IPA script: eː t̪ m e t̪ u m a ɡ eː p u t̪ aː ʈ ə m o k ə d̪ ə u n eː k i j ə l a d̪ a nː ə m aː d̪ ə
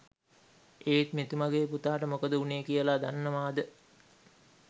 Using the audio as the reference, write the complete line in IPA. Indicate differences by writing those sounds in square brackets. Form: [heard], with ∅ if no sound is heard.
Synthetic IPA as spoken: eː t̪ m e t̪ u m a ɡ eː p u t̪ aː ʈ ə m o k ə d̪ ə u n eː k i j ə l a d̪ a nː ə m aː d̪ ə